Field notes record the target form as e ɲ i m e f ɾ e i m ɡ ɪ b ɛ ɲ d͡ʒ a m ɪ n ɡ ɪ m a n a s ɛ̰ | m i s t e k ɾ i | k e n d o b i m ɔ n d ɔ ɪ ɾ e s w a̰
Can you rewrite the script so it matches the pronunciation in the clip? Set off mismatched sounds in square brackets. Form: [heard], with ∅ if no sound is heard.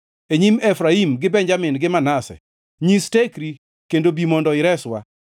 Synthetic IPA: e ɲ i m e f ɾ [a] i m ɡ ɪ b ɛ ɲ d͡ʒ a m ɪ n ɡ ɪ m a n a s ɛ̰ | [ɲ] i s t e k ɾ i | k e n d o b i m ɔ n d ɔ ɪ ɾ [ɛ] s w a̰